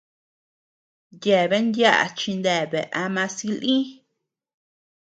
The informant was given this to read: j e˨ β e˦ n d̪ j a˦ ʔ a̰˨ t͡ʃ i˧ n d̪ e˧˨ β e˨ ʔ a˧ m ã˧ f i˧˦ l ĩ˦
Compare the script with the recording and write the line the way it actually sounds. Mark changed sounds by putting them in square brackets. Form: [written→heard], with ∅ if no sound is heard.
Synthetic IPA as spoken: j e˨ β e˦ n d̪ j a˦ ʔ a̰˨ t͡ʃ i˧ n d̪ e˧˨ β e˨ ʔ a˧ m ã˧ [f→s] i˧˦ l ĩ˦